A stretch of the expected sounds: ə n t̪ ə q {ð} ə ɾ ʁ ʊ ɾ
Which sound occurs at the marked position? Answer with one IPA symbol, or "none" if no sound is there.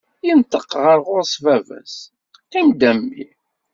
ʁ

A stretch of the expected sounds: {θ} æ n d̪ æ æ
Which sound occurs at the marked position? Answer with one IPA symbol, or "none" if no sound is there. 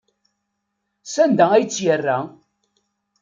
s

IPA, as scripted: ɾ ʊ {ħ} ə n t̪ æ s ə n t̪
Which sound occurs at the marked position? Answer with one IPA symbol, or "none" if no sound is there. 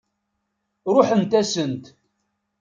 ħ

